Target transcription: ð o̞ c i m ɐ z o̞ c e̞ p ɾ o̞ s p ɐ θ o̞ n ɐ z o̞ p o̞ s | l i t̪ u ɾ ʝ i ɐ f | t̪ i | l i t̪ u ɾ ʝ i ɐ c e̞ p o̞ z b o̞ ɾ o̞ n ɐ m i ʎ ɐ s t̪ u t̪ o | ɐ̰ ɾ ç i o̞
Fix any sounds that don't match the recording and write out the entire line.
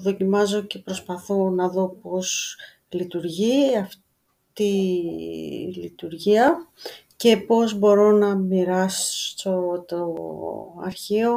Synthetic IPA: ð o̞ c i m ɐ z o̞ c e̞ p ɾ o̞ s p ɐ θ o̞ n ɐ ð o̞ p o̞ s | l i t̪ u ɾ ʝ i ɐ f | t̪ i | l i t̪ u ɾ ʝ i ɐ c e̞ p o̞ z b o̞ ɾ o̞ n ɐ m i ɾ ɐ s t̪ o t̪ o | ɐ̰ ɾ ç i o̞